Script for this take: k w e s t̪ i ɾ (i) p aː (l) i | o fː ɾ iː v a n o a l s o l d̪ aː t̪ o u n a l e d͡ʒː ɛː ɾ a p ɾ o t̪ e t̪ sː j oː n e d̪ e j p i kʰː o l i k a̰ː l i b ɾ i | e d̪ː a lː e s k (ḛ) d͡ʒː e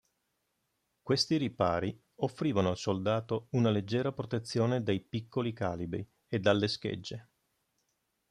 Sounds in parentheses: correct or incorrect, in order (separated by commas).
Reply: correct, incorrect, correct